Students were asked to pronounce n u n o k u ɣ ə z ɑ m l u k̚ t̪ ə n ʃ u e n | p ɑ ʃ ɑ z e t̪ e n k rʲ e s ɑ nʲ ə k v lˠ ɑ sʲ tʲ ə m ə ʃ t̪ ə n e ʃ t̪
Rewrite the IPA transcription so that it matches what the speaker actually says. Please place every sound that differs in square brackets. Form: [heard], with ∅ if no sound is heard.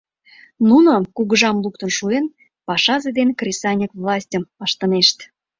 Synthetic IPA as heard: n u n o k u ɣ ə [ʒ] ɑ m l u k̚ t̪ ə n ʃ u e n | p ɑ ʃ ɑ z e [d̪] e n k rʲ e s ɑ nʲ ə k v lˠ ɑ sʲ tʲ ə m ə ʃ t̪ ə n e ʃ t̪